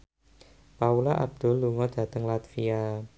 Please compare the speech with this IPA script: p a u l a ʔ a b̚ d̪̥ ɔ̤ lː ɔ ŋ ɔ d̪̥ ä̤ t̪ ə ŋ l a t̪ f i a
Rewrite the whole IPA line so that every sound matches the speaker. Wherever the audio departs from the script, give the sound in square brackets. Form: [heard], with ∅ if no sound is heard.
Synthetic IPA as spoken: p a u l a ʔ a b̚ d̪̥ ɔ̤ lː [u] ŋ ɔ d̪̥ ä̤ t̪ ə ŋ l a t̪ f i a